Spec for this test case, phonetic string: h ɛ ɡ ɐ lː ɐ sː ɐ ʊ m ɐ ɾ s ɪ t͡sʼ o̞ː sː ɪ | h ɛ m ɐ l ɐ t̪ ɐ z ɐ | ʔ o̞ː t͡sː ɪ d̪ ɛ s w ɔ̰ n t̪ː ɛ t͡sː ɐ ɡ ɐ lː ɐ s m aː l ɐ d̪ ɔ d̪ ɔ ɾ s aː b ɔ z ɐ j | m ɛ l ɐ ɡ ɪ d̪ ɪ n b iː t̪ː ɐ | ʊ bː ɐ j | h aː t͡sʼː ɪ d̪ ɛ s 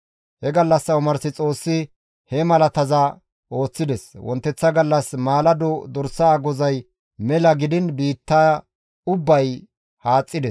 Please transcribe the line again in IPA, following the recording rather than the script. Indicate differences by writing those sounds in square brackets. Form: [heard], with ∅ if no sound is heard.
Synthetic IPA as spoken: h ɛ ɡ ɐ lː ɐ sː ɐ ʊ m ɐ ɾ s ɪ t͡sʼ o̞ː sː ɪ | h ɛ m ɐ l ɐ t̪ ɐ z ɐ | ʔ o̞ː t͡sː ɪ d̪ ɛ s w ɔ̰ n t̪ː ɛ t͡sː ɐ ɡ ɐ lː ɐ s m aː l ɐ d̪ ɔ d̪ ɔ ɾ s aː [ɡ] ɔ z ɐ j | m ɛ l ɐ ɡ ɪ d̪ ɪ n b iː t̪ː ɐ | ʊ bː ɐ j | h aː t͡sʼː ɪ d̪ ɛ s